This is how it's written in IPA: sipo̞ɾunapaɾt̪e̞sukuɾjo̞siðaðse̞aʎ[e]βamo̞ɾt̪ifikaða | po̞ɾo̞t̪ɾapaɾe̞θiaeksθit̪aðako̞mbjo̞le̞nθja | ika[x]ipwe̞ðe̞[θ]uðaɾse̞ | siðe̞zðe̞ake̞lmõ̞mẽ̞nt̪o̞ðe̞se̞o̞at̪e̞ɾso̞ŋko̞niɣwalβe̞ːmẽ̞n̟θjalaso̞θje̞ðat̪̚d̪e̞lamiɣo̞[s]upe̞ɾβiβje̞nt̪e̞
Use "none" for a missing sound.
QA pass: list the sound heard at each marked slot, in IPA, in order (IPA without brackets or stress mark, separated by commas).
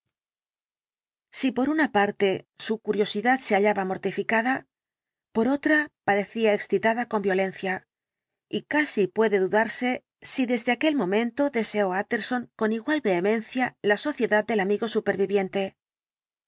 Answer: a, s, ð, s